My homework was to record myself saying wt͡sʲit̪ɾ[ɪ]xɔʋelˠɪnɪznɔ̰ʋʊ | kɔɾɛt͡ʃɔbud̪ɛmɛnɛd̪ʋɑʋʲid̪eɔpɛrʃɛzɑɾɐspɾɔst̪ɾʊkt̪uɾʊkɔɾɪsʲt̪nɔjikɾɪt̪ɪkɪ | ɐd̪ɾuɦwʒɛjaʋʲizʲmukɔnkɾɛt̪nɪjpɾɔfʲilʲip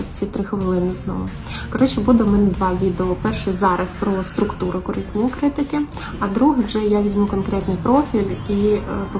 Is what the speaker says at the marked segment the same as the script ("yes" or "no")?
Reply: yes